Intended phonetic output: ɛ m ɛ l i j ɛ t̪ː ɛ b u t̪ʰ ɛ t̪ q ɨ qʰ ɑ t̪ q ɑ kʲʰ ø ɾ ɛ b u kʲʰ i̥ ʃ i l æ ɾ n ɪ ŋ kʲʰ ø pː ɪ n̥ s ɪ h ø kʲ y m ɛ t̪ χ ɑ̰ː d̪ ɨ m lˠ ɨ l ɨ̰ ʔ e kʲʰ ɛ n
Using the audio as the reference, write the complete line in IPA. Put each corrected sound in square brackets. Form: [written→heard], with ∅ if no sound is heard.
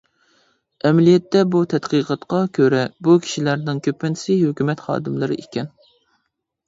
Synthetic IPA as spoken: ɛ m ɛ l i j ɛ t̪ː ɛ b u t̪ʰ ɛ t̪ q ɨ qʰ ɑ t̪ q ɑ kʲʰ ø ɾ ɛ b u kʲʰ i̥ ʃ i l æ ɾ n ɪ ŋ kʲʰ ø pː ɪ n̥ s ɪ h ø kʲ y m ɛ t̪ χ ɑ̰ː d̪ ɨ m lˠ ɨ [l→ɾ] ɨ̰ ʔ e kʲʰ ɛ n